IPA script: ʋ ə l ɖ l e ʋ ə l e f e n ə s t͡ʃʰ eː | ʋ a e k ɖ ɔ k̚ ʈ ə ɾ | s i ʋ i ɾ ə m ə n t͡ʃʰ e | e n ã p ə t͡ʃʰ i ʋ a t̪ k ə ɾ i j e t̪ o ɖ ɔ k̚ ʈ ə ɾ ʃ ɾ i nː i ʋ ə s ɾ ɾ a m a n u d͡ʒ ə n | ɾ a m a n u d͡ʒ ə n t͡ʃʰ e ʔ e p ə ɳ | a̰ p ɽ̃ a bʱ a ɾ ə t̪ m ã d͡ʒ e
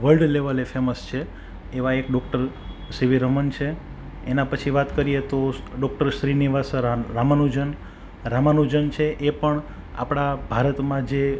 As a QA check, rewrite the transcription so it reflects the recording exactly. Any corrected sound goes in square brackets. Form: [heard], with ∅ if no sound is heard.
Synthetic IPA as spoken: ʋ ə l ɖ l e ʋ ə l e f e [m] ə s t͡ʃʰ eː | ʋ a e k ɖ ɔ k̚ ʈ ə ɾ | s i ʋ i ɾ ə m ə n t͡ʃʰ e | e n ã p ə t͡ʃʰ i ʋ a t̪ k ə ɾ i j e t̪ o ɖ ɔ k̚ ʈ ə ɾ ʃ ɾ i [n] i ʋ [a] s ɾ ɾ a m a n u d͡ʒ ə n | ɾ a m a n u d͡ʒ ə n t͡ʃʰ e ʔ e p ə ɳ | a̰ p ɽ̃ a bʱ a ɾ ə t̪ m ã d͡ʒ e